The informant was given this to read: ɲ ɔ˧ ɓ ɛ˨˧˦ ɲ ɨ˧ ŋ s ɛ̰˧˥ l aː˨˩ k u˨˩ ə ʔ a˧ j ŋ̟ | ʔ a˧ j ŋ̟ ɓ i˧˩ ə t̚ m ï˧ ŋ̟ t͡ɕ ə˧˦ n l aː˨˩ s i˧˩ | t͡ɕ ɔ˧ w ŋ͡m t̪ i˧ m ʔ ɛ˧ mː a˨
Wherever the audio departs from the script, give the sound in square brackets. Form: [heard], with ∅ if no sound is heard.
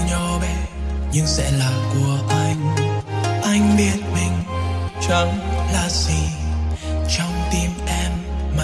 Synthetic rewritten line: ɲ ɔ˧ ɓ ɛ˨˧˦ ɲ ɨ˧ ŋ s ɛ̰˧˥ l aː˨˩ k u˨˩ ə ʔ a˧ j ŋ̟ | ʔ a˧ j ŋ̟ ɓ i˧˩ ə t̚ m [ï˨˩] ŋ̟ t͡ɕ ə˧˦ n l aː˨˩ s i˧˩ | t͡ɕ ɔ˧ w ŋ͡m t̪ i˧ m ʔ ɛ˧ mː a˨